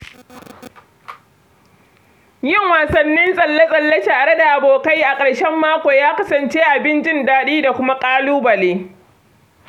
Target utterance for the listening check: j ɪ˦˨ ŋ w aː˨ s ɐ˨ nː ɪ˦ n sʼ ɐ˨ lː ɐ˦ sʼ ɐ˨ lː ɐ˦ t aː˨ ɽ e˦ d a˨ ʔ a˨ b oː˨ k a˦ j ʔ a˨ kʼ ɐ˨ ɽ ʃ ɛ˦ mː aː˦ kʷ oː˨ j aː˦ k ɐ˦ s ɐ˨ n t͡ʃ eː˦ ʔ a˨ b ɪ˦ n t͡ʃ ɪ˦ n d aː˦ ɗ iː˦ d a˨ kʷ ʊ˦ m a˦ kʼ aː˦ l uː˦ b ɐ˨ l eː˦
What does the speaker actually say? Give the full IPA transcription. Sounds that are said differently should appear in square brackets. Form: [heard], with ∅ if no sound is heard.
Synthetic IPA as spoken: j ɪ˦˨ ŋ w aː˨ s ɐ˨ nː ɪ˦ n sʼ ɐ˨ lː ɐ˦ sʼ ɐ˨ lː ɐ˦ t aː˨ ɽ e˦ d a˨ ʔ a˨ b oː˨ k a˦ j ʔ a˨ kʼ ɐ˨ ɽ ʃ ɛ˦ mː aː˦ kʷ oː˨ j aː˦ k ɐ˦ s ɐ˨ n t͡ʃ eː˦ ʔ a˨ b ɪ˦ n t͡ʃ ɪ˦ n d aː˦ ɗ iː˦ d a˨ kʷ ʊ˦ m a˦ kʼ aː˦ l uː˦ b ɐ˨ l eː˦